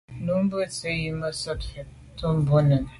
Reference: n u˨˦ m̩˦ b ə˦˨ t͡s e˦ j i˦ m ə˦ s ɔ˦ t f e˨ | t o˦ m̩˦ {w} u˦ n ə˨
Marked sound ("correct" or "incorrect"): incorrect